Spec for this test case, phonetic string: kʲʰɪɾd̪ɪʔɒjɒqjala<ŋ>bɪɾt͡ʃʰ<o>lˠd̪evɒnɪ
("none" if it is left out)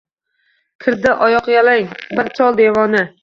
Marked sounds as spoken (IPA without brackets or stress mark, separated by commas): ŋ, ɒ